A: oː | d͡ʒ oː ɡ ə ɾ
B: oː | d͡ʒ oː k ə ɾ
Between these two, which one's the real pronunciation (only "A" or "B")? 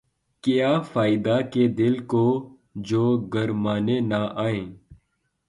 A